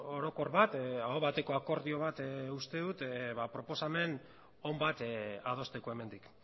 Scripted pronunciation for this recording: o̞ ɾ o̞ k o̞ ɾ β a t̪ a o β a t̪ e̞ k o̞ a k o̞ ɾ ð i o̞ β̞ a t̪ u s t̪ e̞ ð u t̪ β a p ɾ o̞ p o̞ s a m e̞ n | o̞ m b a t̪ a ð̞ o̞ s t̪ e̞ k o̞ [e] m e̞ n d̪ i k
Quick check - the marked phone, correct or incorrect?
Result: correct